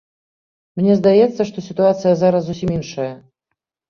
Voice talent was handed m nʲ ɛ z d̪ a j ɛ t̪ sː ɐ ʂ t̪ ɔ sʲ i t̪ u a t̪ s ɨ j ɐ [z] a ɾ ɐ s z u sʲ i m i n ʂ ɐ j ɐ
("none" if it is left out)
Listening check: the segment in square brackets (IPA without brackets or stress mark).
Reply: z